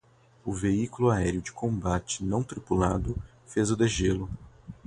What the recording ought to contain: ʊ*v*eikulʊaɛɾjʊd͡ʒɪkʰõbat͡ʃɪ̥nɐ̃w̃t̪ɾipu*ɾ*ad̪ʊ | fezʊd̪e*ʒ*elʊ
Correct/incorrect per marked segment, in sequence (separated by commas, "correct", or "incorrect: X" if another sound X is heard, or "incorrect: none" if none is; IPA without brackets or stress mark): correct, incorrect: l, correct